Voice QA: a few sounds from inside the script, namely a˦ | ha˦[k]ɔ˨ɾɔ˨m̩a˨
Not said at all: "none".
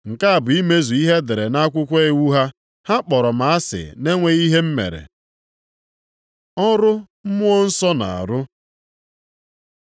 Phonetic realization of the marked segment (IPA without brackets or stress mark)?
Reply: k͡p